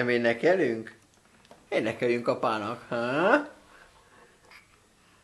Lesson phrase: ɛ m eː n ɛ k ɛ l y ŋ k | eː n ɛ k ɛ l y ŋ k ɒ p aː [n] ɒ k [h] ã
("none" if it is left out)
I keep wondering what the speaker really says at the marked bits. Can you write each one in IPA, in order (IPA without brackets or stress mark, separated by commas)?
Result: n, h